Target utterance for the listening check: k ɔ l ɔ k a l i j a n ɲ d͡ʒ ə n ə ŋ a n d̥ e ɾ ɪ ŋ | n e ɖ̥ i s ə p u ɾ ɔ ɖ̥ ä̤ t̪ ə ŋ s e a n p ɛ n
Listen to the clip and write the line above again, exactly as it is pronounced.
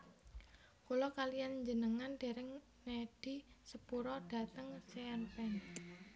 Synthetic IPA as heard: k u l ɔ k a l i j a n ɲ d͡ʒ ə n ə ŋ a n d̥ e ɾ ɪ ŋ | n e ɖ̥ i s ə p u ɾ ɔ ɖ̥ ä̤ t̪ ə ŋ s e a n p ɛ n